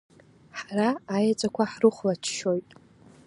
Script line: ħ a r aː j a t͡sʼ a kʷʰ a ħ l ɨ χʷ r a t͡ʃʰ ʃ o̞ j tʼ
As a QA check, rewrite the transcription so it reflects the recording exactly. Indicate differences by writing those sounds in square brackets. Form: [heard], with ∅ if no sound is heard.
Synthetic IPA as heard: ħ a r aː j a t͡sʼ a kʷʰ a ħ [r] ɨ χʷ [l] a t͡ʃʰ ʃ o̞ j tʼ